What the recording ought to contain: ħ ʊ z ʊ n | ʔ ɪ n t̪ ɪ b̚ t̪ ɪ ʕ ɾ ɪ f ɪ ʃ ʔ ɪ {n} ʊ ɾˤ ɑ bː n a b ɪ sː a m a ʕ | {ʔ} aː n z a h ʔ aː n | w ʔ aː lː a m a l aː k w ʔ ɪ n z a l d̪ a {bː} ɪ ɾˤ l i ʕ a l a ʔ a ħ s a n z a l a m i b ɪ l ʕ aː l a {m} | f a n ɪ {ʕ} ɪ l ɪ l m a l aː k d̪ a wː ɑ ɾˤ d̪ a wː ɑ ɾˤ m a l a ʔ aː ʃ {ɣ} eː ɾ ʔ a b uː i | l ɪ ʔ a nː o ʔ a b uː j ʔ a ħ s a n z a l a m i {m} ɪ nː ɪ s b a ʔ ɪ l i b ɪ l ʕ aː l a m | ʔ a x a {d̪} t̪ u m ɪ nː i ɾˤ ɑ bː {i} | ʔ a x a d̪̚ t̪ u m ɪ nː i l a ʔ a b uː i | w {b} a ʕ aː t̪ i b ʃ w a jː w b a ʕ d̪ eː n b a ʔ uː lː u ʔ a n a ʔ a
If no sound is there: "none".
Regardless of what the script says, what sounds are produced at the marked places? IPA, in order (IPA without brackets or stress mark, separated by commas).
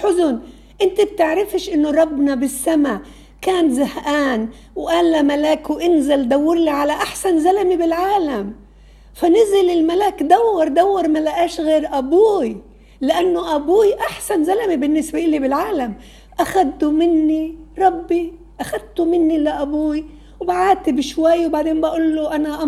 nː, k, wː, m, z, ɣ, b, d̪, i, b